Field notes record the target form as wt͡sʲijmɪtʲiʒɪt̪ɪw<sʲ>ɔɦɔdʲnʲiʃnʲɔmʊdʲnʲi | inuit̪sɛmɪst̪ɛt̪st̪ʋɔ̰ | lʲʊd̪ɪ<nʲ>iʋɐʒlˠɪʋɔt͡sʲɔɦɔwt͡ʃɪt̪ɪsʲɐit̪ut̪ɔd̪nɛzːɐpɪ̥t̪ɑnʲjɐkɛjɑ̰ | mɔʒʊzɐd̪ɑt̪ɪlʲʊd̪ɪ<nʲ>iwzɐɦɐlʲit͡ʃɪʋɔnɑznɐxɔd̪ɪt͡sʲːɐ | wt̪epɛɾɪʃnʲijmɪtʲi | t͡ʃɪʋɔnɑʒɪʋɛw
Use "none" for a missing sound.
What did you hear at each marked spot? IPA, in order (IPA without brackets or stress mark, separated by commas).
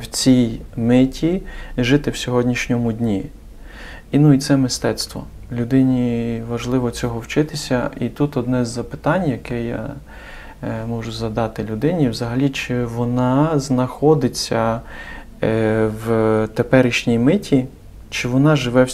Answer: sʲ, nʲ, nʲ